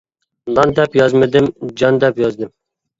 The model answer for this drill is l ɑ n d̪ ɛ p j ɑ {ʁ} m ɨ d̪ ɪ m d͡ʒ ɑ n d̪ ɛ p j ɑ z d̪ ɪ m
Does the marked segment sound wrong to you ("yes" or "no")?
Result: yes